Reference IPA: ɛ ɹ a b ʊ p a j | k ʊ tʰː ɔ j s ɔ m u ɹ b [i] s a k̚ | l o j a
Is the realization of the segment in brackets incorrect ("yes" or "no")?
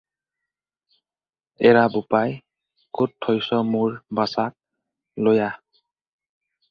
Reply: yes